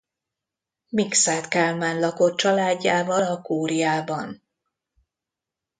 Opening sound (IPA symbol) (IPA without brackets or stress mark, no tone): m